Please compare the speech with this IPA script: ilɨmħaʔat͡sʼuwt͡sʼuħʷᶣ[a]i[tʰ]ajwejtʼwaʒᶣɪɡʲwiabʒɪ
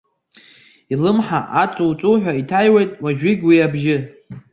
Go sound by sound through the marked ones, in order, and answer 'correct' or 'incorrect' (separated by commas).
correct, correct